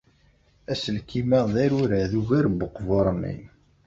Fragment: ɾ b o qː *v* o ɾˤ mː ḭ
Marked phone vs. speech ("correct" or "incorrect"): correct